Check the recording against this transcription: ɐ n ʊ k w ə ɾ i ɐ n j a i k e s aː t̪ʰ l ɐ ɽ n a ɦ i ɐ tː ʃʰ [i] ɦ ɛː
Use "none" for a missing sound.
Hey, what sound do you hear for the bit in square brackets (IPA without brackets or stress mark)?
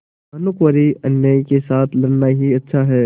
a